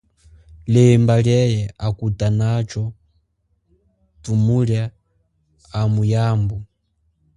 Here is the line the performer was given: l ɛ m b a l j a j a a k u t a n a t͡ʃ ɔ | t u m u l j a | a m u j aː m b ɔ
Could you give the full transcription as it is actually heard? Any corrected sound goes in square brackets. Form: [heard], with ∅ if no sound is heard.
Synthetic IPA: l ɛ m b a l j [ɛ] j [ɛ] a k u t a n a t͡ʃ ɔ | t u m u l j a | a m u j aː m b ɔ